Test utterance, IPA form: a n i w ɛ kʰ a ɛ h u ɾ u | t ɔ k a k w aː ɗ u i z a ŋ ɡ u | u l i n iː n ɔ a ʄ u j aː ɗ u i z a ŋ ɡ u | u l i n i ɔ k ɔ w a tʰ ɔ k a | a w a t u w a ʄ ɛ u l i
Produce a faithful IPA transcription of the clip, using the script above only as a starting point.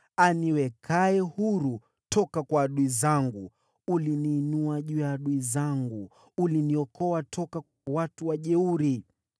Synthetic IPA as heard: a n i w ɛ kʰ a ɛ h u ɾ u | t ɔ k a k w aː ɗ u i z a ŋ ɡ u | u l i n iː n u a ʄ u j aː ɗ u i z a ŋ ɡ u | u l i n i ɔ k ɔ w a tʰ ɔ k a | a w a t u w a ʄ ɛ u ɾ i